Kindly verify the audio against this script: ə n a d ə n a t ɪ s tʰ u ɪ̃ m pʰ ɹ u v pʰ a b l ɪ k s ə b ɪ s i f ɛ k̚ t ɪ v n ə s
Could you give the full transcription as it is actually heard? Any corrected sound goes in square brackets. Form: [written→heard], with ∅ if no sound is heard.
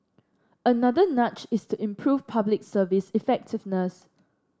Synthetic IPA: ə n a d ə n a [t→t͡ʃ] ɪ s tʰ u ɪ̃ m pʰ ɹ u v pʰ a b l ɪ k s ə [b→v] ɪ s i f ɛ k̚ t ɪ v n ə s